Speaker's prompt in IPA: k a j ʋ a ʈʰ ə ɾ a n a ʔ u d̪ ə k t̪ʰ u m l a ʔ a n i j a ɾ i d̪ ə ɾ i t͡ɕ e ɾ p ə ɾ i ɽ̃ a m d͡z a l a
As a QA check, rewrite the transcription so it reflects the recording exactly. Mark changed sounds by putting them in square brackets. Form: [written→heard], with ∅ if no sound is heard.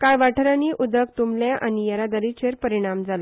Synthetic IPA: k a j ʋ a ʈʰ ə ɾ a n [a→i] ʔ u d̪ ə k [t̪ʰ→t̪] u m l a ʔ a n i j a ɾ [i→a] d̪ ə ɾ i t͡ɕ e ɾ p ə ɾ i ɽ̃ a m d͡z a l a